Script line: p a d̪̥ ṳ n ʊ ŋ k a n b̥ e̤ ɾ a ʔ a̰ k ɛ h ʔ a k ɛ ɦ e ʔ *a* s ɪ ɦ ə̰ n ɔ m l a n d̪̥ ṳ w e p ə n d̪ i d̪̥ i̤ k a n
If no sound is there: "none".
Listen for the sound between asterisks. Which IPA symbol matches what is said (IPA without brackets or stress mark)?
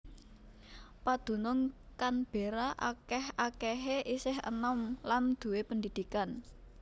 i